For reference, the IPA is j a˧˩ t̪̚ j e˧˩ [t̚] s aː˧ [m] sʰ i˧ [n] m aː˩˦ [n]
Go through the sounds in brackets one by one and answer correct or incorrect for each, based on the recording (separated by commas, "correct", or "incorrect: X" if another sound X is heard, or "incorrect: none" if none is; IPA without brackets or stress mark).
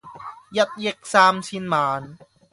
incorrect: k̚, correct, correct, correct